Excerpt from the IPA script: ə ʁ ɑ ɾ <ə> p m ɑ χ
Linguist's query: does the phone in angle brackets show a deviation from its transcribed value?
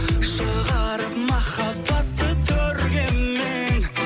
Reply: no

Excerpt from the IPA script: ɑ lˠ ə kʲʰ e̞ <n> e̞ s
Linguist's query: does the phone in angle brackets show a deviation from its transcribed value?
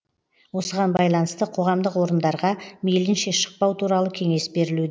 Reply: yes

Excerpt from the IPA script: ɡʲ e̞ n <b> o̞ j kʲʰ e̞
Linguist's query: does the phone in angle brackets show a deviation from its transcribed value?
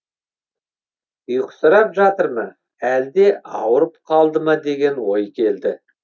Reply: yes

